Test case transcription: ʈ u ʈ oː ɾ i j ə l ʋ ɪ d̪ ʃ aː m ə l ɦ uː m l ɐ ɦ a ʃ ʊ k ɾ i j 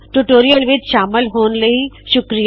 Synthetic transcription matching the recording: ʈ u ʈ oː ɾ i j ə l ʋ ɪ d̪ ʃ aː m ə l ɦ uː n l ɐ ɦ i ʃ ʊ k ɾ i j